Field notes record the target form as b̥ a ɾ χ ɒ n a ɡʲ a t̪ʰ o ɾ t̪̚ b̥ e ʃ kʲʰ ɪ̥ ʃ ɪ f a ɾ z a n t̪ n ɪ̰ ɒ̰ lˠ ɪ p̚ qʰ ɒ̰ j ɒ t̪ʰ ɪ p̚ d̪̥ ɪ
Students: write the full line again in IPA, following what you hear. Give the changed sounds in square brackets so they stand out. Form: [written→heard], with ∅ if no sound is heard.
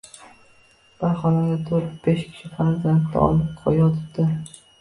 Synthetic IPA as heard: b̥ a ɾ χ ɒ n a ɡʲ a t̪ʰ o ɾ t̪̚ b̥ e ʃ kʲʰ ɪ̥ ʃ ɪ f a ɾ z a n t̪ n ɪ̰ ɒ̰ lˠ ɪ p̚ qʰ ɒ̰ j ɒ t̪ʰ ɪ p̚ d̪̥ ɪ